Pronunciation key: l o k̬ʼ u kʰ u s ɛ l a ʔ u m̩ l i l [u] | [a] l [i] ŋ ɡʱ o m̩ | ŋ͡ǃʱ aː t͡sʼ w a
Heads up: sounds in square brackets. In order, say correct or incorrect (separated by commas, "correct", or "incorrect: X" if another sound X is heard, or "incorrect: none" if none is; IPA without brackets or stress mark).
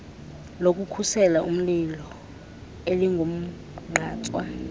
incorrect: ɔ, incorrect: e, correct